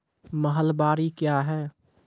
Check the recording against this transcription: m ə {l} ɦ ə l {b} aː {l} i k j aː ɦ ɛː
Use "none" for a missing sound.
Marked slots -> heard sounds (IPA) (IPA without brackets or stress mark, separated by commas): none, b, ɾ